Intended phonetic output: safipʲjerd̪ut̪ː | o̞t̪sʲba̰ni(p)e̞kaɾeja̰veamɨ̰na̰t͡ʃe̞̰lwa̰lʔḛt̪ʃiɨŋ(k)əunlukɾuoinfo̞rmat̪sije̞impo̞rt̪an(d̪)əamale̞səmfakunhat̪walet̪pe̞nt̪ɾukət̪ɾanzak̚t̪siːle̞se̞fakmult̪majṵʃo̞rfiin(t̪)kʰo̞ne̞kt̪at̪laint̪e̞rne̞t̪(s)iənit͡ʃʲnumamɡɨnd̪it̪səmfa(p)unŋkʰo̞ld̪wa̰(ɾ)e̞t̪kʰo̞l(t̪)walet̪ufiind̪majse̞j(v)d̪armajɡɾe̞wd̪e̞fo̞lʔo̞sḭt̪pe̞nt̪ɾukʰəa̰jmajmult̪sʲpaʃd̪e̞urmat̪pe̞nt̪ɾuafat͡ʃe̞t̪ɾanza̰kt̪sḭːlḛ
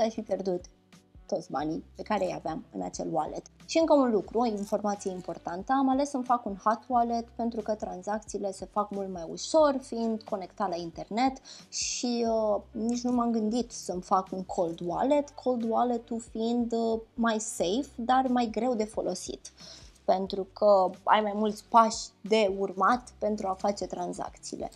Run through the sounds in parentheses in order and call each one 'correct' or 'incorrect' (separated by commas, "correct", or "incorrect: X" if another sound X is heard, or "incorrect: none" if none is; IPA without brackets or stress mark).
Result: correct, correct, incorrect: t̪, incorrect: d̪, incorrect: ʃ, incorrect: k, incorrect: l, incorrect: d̪, incorrect: f